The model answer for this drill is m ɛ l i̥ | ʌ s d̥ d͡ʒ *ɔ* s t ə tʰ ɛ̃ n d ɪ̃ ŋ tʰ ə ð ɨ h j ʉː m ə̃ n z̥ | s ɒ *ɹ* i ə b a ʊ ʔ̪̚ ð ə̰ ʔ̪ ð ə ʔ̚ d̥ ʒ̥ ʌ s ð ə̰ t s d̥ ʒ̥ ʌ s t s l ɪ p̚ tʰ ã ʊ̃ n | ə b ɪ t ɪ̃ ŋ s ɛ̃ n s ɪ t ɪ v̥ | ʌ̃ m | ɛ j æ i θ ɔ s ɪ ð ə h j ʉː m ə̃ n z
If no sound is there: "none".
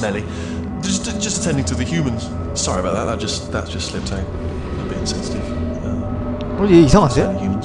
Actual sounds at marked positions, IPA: ʌ, ɹ

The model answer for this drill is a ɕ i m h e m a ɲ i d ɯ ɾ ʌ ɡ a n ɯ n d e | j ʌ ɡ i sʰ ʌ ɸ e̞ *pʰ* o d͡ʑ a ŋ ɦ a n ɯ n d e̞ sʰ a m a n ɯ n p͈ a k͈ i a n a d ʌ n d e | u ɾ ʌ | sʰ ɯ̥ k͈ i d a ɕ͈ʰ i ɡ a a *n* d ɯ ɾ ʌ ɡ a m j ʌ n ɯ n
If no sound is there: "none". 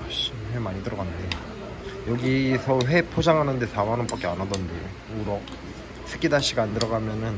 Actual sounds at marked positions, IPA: pʰ, n

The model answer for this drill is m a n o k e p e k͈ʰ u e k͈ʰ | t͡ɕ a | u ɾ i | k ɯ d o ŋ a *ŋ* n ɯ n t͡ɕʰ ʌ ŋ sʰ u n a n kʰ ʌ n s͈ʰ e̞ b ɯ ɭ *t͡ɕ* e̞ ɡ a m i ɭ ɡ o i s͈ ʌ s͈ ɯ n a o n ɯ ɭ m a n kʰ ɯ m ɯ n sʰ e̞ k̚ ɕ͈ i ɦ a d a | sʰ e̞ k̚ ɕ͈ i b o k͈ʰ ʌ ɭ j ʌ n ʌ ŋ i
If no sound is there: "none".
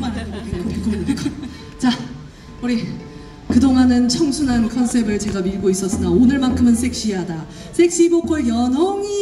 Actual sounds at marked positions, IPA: none, t͡ɕ

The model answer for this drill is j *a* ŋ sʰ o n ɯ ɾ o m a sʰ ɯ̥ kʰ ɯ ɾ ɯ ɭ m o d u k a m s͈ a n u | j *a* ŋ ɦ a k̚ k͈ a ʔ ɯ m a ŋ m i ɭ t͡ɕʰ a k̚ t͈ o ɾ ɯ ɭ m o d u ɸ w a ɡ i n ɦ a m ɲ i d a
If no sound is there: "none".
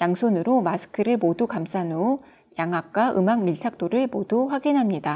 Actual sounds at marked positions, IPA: a, a

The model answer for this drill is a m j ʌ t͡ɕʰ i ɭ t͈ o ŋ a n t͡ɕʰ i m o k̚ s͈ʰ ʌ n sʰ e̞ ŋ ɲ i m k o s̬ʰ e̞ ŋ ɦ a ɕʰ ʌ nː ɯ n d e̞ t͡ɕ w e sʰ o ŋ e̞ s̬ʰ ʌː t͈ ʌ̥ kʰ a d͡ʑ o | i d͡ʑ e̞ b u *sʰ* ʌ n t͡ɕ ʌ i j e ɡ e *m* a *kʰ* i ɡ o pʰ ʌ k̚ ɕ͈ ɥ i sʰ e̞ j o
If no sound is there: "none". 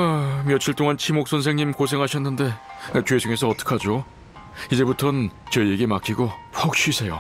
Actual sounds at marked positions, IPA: tʰ, m, kʰ

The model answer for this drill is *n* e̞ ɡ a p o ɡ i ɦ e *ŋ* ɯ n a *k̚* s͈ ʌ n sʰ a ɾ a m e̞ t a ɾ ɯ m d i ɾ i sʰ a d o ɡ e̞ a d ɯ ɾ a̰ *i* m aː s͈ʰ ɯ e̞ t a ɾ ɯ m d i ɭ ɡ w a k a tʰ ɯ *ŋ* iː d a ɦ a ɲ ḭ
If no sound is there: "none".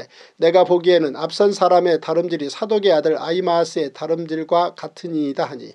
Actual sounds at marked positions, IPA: n, n, p̚, i, ɲ

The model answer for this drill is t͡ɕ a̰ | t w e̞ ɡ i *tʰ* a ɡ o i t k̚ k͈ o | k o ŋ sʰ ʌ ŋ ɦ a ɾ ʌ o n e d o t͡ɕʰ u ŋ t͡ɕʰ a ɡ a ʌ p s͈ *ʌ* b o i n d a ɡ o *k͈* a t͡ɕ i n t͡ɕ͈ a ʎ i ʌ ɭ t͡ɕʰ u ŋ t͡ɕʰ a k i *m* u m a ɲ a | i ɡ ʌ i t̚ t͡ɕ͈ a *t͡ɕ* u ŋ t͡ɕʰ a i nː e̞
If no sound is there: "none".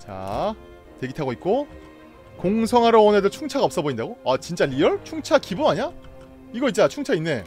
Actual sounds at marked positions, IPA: tʰ, ʌ, none, b, t͡ɕʰ

